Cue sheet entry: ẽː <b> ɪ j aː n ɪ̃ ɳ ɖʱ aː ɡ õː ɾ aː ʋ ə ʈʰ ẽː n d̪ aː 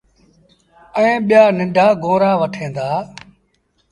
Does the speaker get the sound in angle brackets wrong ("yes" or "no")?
yes